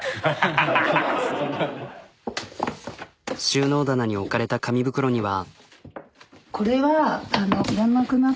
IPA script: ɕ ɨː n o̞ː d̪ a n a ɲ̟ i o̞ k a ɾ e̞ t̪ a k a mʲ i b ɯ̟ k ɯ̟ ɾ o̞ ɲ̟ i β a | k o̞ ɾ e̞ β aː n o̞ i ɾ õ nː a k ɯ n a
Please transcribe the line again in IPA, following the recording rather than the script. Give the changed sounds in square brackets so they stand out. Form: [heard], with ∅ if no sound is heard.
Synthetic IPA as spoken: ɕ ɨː n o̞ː d̪ a n a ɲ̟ i o̞ k a ɾ e̞ t̪ a k a mʲ i b ɯ̟ k ɯ̟ ɾ o̞ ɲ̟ i β a | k o̞ ɾ e̞ β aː n o̞ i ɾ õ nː a k ɯ n a